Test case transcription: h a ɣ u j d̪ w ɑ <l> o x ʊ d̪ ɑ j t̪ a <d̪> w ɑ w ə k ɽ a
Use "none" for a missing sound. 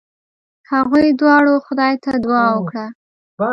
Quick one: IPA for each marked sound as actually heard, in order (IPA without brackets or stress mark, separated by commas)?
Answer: ɽ, d̪